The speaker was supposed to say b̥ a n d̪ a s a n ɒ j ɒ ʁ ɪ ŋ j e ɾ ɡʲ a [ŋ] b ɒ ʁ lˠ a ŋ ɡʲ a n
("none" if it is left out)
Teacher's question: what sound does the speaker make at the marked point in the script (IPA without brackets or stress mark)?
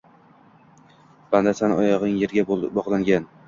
none